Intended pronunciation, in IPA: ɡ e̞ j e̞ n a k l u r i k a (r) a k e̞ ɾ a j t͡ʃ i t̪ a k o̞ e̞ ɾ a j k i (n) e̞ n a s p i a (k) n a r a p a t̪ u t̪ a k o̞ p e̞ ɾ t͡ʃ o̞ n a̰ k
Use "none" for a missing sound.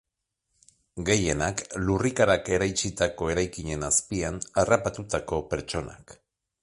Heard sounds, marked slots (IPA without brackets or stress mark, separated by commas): ɾ, ɲ, none